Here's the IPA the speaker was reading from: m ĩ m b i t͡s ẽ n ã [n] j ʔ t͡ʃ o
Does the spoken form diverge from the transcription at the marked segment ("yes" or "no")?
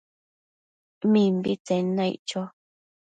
yes